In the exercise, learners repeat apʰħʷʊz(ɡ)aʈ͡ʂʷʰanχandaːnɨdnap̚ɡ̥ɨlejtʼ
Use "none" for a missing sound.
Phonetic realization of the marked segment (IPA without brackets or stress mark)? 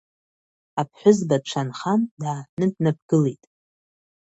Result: b